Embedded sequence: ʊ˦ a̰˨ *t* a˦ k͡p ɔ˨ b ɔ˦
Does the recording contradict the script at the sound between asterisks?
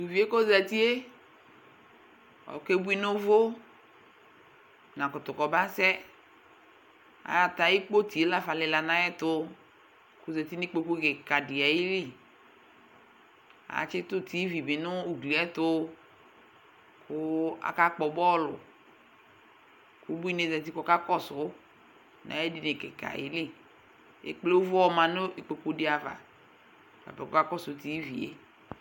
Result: yes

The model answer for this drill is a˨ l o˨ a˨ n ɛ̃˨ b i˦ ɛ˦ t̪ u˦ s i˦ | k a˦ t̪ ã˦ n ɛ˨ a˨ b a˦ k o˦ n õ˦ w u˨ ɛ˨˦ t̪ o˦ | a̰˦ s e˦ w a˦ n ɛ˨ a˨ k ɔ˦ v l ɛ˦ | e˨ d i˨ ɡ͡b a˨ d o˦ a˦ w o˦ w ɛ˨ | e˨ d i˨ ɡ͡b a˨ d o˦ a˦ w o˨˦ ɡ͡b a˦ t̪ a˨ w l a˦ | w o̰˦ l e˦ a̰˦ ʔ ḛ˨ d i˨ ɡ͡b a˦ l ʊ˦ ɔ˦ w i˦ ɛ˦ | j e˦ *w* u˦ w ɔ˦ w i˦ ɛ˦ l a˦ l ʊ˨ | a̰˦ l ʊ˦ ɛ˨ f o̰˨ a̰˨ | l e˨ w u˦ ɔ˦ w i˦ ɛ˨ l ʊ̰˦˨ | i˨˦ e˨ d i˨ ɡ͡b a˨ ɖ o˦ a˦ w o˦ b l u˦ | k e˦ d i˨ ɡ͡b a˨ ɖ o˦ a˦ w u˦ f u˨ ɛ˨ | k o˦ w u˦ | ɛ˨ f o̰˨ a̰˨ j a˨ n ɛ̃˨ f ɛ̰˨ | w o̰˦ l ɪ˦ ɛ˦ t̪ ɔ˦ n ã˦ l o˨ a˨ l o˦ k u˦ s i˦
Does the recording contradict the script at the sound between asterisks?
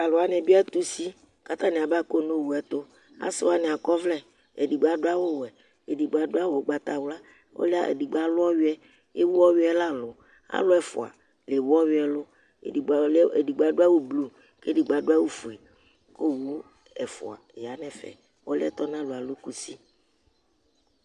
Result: no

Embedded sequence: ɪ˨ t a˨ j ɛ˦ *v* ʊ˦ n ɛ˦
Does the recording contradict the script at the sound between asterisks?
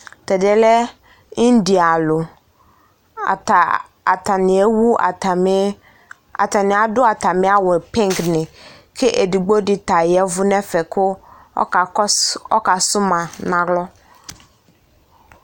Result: no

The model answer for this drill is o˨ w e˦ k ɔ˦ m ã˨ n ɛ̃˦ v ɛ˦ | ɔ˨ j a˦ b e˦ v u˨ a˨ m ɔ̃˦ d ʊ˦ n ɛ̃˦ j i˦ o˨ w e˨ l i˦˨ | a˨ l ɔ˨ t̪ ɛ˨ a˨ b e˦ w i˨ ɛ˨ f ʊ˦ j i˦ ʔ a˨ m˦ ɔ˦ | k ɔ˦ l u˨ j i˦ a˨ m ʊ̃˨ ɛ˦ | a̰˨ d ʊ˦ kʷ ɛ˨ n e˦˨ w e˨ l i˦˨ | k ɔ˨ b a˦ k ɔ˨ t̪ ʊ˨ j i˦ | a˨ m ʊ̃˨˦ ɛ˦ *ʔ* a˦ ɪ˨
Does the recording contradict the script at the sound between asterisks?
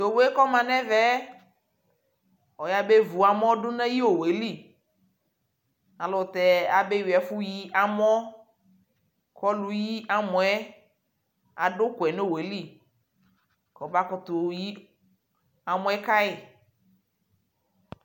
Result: yes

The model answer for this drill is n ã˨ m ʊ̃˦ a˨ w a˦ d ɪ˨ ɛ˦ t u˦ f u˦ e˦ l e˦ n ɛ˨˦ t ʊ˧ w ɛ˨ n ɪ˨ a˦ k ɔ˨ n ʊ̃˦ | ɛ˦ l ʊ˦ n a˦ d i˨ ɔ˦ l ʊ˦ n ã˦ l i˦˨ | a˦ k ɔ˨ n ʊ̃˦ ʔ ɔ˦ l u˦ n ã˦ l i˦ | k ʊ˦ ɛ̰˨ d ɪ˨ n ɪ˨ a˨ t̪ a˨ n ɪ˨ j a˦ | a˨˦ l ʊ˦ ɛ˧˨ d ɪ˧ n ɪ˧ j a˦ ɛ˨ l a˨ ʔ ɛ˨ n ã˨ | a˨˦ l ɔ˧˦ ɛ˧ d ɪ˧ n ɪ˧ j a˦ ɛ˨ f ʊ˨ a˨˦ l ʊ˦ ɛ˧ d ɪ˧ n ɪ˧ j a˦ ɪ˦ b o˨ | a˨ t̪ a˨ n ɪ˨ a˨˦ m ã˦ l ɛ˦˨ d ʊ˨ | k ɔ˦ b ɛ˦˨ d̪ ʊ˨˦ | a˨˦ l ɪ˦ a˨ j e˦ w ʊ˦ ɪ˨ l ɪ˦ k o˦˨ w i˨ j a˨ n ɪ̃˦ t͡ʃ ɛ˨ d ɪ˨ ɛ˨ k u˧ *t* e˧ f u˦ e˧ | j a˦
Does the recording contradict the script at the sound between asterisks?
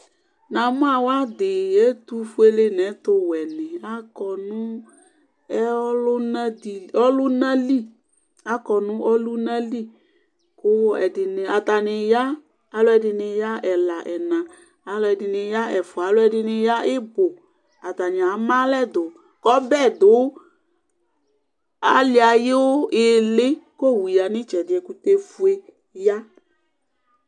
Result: no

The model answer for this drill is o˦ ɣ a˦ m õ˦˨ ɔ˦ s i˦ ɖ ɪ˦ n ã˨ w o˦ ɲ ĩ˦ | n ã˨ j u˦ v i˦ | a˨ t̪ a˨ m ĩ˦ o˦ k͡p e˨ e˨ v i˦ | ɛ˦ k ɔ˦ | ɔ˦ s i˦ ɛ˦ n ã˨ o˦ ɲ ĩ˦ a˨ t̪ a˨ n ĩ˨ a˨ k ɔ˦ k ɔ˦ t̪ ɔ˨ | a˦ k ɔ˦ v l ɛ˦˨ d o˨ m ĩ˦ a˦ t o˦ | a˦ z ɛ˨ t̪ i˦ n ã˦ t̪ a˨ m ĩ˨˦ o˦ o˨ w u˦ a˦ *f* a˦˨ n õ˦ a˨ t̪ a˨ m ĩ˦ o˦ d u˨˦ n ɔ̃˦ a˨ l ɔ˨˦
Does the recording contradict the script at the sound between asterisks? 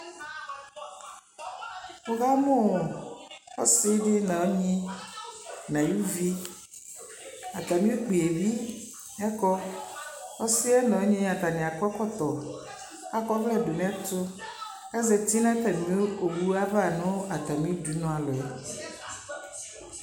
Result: yes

